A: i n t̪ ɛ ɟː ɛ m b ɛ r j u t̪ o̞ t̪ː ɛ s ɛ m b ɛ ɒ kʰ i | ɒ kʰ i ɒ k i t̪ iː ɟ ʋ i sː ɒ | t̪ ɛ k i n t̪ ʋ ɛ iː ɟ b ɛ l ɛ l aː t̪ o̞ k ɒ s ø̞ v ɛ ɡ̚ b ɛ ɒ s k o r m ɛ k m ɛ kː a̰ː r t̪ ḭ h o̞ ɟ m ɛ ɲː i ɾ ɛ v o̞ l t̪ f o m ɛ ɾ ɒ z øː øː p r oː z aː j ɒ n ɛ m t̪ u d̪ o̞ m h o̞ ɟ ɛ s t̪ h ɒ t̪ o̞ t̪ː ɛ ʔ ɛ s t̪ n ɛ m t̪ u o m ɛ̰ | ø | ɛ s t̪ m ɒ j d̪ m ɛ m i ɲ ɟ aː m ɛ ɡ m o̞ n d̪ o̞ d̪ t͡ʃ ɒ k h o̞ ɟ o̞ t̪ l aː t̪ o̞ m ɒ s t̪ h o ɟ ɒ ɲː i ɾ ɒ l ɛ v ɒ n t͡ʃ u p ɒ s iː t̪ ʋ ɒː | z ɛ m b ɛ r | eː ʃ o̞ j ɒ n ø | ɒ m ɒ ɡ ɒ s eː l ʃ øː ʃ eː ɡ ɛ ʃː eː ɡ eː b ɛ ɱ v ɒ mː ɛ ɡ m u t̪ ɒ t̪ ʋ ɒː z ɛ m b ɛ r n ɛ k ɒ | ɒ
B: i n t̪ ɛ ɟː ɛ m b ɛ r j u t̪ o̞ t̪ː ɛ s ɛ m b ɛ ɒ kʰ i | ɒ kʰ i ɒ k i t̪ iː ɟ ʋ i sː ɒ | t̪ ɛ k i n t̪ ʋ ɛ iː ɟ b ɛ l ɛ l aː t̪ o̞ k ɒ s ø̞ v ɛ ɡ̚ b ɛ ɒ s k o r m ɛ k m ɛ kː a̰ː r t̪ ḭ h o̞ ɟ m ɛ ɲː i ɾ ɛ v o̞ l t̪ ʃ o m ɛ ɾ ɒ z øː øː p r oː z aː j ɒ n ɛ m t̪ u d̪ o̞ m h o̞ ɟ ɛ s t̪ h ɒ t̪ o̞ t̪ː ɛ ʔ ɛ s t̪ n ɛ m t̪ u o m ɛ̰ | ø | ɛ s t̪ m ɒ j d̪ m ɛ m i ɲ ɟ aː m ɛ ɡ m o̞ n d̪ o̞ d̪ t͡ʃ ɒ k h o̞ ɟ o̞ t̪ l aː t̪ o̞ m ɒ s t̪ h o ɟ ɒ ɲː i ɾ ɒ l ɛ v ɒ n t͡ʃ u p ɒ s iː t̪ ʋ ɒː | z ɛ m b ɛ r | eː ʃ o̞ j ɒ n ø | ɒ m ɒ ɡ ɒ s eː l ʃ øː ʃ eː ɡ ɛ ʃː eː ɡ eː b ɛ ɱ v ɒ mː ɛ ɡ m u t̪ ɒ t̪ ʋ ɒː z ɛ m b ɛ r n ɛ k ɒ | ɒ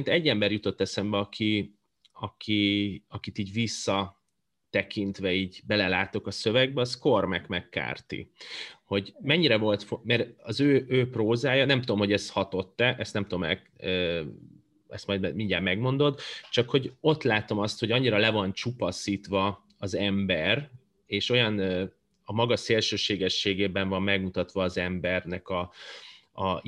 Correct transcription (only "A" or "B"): A